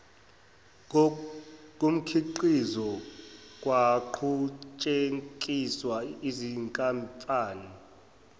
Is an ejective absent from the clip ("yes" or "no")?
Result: no